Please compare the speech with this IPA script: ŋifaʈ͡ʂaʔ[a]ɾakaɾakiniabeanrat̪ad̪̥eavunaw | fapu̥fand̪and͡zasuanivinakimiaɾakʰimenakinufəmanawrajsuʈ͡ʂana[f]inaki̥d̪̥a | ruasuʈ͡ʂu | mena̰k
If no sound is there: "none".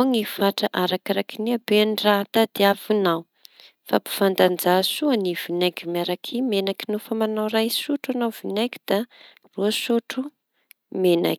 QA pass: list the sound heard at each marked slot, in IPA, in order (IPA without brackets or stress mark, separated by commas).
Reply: a, v